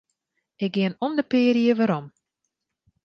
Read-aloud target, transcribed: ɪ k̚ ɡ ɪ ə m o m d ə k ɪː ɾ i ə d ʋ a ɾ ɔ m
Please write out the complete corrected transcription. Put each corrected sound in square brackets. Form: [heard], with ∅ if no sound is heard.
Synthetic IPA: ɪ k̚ ɡ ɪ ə [n] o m d ə [p] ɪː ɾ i ə [∅] ʋ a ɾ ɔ m